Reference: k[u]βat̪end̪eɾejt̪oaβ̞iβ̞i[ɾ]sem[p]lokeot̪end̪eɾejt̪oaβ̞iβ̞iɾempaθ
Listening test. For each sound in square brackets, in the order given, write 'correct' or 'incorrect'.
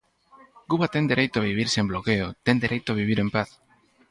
correct, correct, incorrect

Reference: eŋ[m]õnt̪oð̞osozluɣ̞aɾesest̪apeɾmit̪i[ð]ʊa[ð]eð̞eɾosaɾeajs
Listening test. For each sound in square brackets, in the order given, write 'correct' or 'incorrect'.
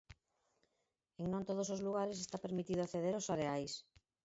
incorrect, correct, incorrect

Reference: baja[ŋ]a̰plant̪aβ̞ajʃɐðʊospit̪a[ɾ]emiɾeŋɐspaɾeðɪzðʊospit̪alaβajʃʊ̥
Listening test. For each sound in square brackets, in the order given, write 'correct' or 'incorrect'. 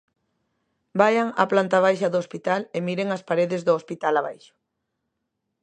correct, incorrect

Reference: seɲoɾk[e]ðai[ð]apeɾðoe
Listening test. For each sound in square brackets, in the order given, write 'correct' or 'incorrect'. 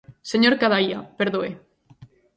incorrect, incorrect

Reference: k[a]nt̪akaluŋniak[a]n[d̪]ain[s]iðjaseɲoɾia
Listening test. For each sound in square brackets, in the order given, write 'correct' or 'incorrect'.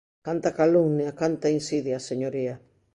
correct, correct, incorrect, correct

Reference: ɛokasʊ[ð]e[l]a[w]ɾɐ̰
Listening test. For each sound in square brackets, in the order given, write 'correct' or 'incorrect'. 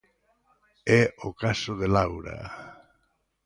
correct, correct, correct

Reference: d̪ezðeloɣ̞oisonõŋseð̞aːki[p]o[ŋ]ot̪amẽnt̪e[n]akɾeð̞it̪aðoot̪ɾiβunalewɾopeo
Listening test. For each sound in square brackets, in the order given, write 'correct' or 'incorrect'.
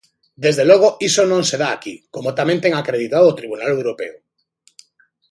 incorrect, incorrect, incorrect

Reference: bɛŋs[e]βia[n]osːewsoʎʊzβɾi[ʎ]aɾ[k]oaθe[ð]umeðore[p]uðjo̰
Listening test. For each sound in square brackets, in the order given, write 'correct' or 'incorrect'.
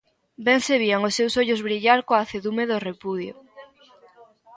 correct, incorrect, correct, correct, correct, correct

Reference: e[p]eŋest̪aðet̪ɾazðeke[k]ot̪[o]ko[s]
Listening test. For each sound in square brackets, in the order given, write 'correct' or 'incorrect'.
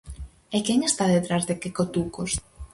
incorrect, correct, incorrect, correct

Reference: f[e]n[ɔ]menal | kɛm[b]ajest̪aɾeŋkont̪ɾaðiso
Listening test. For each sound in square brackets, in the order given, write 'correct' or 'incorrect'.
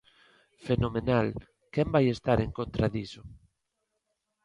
correct, incorrect, correct

